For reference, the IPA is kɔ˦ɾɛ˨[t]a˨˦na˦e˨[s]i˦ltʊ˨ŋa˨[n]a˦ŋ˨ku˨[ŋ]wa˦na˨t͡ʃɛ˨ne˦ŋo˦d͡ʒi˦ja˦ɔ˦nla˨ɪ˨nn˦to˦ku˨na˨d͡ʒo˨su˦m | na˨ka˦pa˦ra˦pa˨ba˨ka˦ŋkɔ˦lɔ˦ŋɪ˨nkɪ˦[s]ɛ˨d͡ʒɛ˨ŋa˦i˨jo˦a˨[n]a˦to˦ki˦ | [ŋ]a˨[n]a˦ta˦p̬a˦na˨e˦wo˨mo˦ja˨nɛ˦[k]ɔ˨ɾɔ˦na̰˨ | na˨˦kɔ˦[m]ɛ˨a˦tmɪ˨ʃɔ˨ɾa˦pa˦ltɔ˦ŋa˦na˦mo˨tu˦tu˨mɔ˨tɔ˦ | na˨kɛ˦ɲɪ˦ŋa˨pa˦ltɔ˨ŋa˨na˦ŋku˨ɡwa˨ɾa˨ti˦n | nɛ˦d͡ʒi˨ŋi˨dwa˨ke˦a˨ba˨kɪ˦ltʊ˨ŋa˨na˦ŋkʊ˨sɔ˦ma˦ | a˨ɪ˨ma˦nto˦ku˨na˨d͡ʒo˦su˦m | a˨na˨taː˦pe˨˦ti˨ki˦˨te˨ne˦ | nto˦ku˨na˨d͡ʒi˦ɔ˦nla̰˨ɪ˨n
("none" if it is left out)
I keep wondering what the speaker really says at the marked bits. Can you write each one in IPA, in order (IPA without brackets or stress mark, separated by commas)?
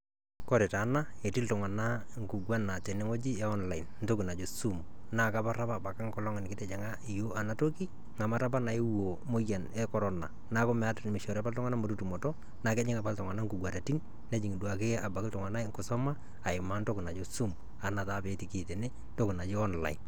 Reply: t, t, n, ɡ, t, n, ŋ, m, k, m